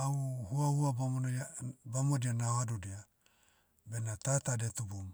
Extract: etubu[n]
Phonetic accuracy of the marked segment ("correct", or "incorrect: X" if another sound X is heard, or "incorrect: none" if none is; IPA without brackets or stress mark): incorrect: m